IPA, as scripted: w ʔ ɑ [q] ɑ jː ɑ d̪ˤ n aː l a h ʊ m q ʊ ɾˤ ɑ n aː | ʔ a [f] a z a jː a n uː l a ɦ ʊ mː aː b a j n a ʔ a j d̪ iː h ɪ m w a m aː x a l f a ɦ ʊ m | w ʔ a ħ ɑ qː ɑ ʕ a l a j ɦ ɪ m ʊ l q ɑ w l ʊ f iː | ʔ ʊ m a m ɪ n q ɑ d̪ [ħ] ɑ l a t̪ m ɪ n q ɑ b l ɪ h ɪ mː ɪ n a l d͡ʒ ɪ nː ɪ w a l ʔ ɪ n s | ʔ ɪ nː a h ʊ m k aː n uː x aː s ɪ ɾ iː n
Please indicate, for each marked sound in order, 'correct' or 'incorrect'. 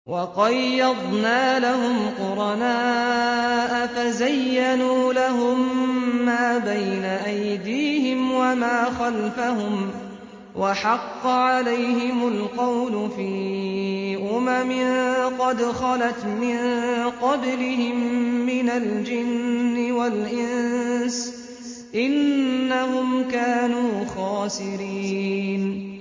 correct, correct, incorrect: x

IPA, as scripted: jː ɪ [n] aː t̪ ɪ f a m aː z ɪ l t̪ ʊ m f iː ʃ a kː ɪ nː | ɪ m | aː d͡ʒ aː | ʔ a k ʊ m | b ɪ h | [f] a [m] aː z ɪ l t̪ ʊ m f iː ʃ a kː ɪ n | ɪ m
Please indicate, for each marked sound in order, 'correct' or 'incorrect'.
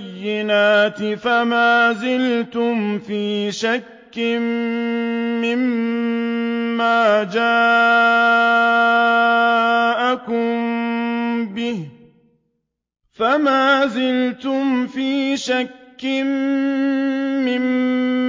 correct, correct, correct

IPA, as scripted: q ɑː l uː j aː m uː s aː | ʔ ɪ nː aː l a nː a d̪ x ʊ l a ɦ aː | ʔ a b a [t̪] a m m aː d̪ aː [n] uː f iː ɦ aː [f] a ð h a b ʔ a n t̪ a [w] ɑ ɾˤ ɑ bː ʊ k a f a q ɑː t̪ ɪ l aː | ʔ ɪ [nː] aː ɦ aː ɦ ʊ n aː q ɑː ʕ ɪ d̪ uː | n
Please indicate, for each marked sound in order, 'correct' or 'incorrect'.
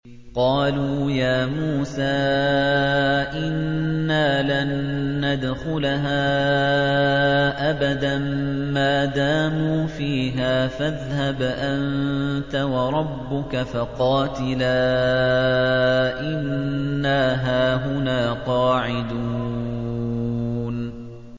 incorrect: d̪, incorrect: m, correct, correct, correct

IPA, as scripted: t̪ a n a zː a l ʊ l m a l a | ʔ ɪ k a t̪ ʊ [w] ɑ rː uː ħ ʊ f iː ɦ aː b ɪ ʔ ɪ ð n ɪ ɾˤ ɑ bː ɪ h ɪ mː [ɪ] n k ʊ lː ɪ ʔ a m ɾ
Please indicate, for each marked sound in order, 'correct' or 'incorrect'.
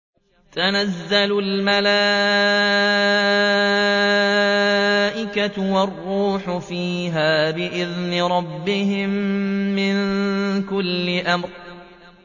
correct, correct

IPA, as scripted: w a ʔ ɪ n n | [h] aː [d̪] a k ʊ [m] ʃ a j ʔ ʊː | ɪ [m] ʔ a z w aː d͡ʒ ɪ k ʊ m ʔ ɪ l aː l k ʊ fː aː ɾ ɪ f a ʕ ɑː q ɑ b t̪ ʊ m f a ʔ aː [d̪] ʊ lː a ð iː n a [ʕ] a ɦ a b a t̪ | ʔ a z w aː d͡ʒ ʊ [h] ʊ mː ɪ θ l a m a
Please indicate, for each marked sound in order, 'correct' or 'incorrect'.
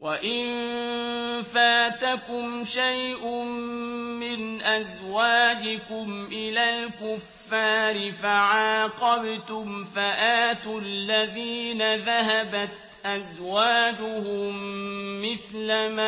incorrect: f, incorrect: t̪, correct, incorrect: n, incorrect: t̪, incorrect: ð, correct

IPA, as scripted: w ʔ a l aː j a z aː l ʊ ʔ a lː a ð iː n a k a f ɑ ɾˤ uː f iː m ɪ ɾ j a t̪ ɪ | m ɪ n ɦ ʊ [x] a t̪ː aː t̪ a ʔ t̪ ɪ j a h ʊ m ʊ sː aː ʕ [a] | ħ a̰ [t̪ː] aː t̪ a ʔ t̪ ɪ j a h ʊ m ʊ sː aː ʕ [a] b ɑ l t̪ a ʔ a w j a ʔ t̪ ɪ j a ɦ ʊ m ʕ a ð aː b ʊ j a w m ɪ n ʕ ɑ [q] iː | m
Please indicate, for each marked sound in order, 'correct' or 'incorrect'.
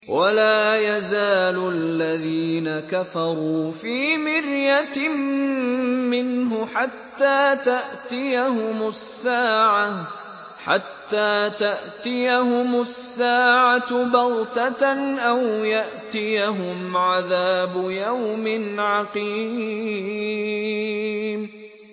incorrect: ħ, correct, correct, correct, correct

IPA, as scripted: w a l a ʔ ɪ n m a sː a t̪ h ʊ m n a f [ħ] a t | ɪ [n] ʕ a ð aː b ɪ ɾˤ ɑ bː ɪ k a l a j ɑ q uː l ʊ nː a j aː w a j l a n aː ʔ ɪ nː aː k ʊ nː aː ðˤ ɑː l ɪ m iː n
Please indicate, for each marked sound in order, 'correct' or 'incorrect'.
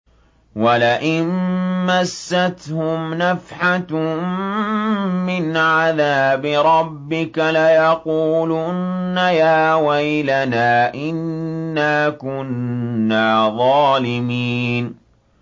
correct, correct

